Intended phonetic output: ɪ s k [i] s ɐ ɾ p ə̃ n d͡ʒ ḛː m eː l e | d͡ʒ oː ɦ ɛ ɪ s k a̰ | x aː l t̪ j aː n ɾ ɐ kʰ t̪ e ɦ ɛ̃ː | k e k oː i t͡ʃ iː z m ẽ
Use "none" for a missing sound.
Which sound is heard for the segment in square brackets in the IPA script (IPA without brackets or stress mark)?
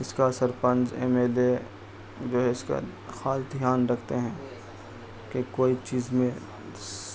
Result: a